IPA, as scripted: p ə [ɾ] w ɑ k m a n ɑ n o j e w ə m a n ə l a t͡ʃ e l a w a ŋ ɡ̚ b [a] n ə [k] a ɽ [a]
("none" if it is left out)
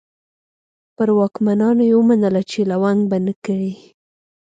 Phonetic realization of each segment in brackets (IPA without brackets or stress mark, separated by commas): ɾ, a, k, i